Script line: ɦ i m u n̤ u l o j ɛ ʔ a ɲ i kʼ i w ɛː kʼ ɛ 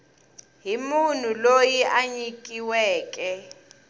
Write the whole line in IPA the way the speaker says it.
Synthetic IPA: ɦ i m u n̤ u l o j i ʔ a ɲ i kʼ i w ɛː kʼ ɛ